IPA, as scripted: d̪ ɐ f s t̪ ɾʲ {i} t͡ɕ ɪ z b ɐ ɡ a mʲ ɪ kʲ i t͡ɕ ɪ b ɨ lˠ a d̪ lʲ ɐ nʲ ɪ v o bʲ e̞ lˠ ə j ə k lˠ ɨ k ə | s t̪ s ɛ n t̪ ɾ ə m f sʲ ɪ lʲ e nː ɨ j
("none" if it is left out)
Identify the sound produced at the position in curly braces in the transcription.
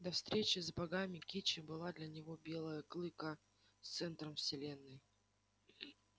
e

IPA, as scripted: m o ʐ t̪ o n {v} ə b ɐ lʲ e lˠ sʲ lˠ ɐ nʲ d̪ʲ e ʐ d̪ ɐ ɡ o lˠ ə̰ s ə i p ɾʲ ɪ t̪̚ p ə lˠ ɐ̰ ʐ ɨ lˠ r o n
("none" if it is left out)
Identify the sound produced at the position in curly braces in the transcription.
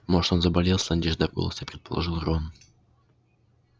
z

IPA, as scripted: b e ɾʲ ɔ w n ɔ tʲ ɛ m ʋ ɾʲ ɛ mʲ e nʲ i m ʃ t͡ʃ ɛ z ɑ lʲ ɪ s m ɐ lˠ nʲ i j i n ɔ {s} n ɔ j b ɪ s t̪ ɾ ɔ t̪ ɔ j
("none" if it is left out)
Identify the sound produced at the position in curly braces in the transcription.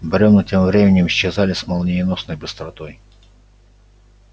s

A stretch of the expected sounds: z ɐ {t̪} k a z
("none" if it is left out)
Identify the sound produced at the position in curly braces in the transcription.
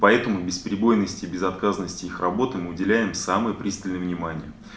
t̪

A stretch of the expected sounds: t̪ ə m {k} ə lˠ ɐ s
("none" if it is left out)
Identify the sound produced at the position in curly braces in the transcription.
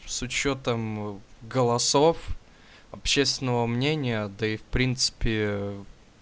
ɡ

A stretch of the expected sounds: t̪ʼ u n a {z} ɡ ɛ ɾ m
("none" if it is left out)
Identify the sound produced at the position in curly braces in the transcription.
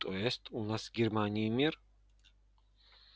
s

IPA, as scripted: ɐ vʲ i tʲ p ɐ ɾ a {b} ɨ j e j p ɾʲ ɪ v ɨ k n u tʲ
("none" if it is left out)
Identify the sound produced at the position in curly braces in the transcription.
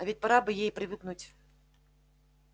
b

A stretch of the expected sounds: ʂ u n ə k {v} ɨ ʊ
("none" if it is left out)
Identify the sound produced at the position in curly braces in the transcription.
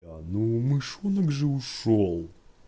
ʐ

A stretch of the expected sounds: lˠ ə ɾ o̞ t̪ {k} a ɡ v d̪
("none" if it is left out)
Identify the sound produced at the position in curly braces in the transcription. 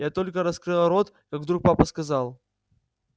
k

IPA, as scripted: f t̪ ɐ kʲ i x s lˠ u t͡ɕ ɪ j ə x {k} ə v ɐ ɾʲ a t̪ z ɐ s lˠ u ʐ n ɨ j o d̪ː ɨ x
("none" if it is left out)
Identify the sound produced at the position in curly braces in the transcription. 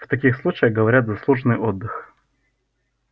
ɡ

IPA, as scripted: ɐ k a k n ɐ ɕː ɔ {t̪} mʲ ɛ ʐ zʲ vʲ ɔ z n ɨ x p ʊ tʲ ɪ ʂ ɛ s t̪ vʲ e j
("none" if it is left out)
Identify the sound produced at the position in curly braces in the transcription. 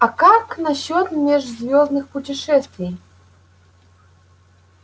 t̪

